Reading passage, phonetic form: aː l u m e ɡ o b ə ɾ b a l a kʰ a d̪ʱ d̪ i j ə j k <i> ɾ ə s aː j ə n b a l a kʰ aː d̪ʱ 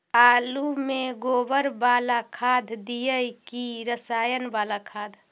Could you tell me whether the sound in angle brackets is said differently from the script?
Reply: no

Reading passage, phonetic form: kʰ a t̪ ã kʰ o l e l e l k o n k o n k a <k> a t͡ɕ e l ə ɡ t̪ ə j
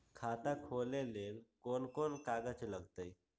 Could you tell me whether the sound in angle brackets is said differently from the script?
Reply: yes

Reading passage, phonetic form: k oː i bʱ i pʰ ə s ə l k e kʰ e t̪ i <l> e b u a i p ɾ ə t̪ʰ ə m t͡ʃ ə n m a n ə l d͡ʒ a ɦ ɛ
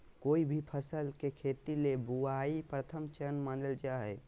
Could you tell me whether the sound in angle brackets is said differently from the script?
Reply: no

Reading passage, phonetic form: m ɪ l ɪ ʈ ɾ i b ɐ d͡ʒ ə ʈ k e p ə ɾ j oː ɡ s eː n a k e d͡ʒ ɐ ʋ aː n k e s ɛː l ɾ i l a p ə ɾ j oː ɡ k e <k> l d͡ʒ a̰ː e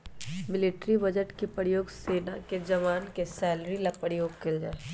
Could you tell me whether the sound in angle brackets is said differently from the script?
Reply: yes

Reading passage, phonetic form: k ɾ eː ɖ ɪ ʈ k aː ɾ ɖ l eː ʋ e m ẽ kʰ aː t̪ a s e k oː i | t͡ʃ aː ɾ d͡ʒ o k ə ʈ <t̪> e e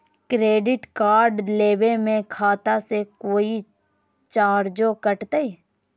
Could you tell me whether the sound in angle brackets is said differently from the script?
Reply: no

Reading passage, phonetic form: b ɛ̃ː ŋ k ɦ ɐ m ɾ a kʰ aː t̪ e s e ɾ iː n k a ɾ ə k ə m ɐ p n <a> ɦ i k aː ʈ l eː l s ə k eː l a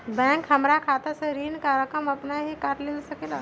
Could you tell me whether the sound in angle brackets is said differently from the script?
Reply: no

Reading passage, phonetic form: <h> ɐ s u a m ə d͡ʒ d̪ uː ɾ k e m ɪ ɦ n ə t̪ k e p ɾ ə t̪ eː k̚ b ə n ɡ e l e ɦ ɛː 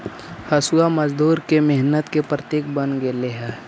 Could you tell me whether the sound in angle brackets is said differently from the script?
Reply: no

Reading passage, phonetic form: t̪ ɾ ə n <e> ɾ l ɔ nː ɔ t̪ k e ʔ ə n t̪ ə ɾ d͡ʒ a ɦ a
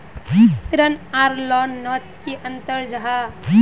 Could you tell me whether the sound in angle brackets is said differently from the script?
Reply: yes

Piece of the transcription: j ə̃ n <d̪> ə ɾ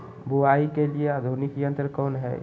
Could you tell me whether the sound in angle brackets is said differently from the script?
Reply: yes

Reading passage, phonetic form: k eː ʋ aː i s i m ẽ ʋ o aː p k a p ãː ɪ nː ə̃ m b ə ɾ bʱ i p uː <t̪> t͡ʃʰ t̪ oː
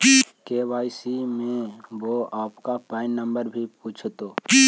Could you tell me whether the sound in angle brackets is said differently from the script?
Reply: yes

